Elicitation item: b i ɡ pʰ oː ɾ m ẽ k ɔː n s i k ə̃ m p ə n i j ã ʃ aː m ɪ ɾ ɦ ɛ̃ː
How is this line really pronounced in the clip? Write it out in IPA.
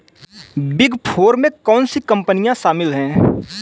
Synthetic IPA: b ɪ ɡ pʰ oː ɾ m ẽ k ɔː n s i k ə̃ m p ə n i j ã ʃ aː m ɪ l ɦ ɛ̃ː